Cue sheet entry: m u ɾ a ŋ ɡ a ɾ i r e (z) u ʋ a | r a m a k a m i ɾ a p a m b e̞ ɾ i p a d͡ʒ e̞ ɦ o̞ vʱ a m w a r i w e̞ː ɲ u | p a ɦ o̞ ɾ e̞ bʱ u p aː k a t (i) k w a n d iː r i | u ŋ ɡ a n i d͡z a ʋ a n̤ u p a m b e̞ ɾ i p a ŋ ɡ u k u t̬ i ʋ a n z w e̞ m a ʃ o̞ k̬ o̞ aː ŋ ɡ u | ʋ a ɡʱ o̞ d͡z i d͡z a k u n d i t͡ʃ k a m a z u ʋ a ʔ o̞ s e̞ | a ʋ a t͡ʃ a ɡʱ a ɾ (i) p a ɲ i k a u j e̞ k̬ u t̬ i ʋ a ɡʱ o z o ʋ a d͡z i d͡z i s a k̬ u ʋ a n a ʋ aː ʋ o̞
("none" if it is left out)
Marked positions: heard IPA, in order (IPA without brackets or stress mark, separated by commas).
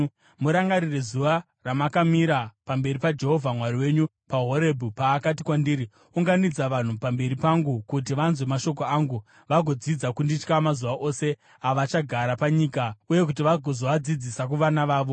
z, i, a